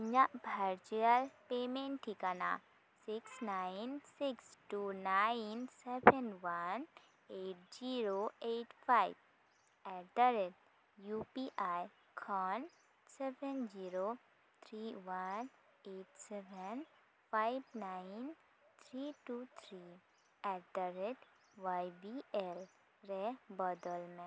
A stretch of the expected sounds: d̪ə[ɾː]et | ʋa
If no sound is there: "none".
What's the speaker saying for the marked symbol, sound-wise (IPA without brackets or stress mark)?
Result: ɾ